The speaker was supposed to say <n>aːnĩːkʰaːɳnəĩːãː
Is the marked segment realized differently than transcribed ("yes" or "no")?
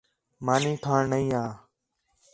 yes